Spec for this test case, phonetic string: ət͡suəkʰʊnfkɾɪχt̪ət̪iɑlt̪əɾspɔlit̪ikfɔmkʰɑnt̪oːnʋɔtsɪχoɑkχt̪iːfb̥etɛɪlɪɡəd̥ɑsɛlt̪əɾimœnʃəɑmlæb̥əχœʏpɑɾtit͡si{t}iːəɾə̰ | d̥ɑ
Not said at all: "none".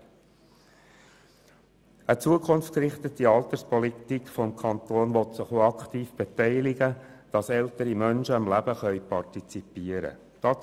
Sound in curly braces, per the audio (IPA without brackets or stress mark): p